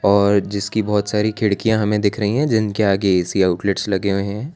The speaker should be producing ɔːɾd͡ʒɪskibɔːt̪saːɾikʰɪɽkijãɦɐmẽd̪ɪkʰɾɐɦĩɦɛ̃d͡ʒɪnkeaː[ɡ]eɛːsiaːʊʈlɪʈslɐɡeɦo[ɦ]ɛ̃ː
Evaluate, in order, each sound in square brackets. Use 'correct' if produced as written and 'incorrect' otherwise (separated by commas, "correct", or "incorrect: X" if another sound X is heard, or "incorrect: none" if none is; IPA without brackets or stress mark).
correct, correct